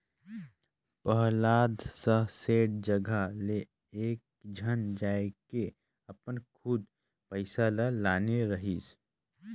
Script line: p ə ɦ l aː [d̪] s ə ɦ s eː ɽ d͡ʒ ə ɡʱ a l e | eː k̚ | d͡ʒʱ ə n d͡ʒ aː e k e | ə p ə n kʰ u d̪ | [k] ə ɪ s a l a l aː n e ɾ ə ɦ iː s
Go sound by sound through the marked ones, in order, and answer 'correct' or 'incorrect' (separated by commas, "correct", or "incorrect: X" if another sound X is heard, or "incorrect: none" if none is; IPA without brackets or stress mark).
correct, incorrect: p